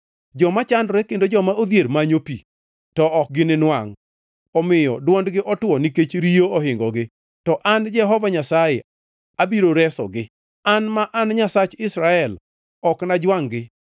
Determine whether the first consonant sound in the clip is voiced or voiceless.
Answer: voiced